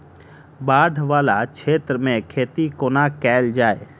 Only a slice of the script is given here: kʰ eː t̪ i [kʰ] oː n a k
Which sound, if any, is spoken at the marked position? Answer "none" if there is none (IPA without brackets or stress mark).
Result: k